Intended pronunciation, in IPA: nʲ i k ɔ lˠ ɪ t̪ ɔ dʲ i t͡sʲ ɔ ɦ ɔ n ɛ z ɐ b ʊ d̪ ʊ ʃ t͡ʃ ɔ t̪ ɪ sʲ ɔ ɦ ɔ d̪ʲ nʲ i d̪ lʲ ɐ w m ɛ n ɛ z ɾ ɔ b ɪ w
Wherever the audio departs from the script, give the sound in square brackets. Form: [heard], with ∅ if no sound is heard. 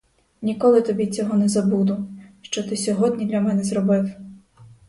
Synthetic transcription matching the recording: nʲ i k ɔ lˠ ɪ t̪ ɔ [bʲ] i t͡sʲ ɔ ɦ ɔ n ɛ z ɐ b [u] d̪ ʊ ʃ t͡ʃ ɔ t̪ ɪ sʲ ɔ ɦ ɔ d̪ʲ nʲ i d̪ lʲ ɐ [∅] m ɛ n ɛ z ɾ ɔ b ɪ w